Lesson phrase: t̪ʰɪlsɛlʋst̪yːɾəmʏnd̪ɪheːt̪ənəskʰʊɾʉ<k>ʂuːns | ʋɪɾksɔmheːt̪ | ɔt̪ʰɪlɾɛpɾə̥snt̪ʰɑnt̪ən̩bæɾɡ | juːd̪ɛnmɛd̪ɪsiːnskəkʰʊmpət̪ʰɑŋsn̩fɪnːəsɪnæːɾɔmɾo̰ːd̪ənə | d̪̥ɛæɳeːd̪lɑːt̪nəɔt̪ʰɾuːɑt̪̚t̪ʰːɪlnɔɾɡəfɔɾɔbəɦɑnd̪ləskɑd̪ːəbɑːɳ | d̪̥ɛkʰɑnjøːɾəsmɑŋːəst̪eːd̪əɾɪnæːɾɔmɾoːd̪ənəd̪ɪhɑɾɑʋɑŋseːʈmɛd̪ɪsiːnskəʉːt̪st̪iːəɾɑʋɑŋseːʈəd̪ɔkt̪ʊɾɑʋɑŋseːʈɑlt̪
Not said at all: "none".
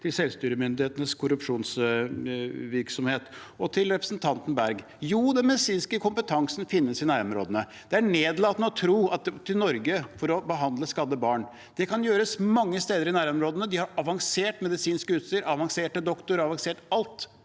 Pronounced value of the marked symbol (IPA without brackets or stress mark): p